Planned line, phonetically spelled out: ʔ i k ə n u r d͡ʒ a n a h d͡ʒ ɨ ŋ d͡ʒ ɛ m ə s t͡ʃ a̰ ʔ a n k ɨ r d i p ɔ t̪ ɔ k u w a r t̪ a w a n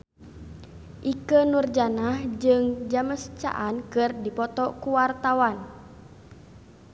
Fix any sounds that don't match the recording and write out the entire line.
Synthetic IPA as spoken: ʔ i k ə n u r d͡ʒ a n a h d͡ʒ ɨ ŋ d͡ʒ a m ə s t͡ʃ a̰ ʔ a n k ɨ r d i p ɔ t̪ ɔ k u w a r t̪ a w a n